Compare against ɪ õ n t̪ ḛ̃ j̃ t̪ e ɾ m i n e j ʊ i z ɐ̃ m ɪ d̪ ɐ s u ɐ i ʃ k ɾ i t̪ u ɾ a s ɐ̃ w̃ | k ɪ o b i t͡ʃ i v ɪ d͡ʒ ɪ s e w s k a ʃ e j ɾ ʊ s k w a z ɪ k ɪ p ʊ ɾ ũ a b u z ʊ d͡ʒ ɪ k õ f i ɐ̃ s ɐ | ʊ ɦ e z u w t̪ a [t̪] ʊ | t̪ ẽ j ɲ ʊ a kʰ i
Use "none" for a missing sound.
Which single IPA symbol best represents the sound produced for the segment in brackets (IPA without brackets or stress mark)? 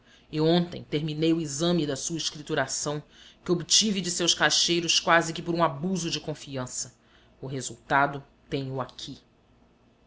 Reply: d̪